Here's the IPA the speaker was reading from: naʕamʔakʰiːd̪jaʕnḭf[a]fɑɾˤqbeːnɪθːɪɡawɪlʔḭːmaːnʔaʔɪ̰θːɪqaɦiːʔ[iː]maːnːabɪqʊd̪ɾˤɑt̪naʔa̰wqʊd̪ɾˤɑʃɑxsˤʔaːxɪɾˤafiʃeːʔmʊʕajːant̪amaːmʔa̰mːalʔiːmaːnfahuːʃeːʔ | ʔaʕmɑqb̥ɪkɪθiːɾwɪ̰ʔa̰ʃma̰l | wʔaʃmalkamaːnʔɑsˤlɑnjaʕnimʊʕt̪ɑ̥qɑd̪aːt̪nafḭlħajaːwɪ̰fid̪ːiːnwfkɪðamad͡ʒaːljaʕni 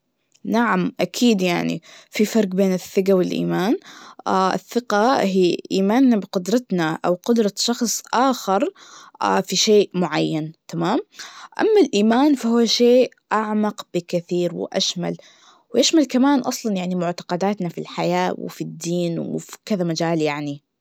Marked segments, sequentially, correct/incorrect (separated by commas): incorrect, correct